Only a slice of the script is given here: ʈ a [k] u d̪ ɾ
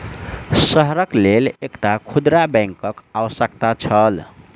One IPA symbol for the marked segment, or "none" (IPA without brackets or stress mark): kʰ